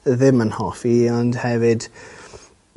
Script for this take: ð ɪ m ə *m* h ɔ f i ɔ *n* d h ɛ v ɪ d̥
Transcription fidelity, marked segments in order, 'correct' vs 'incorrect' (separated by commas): incorrect, correct